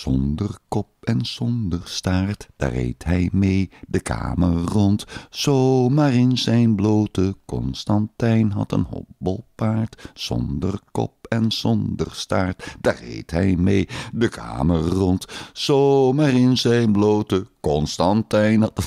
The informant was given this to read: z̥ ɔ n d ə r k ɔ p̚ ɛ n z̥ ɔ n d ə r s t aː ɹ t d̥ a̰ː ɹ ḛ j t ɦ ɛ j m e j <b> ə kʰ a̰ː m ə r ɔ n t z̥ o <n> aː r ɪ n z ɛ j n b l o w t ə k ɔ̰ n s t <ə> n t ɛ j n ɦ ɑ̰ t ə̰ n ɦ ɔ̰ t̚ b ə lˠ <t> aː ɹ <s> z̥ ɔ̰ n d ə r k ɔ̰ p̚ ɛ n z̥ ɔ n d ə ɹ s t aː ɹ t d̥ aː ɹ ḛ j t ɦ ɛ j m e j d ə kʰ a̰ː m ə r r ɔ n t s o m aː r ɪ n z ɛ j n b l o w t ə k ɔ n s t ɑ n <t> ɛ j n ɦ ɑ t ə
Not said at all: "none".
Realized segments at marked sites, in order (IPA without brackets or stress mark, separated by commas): d, m, ɑ, p, t, t